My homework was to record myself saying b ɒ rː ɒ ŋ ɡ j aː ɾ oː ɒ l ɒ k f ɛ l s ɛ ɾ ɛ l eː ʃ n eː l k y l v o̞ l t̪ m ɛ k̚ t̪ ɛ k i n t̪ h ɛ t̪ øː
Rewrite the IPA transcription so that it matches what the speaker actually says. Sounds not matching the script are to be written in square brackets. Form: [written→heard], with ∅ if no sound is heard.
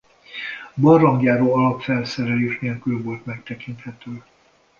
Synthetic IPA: b ɒ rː ɒ ŋ ɡ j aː ɾ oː ɒ l ɒ [k→p] f ɛ l s ɛ ɾ ɛ l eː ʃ n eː l k y l v o̞ l t̪ m ɛ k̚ t̪ ɛ k i n t̪ h ɛ t̪ øː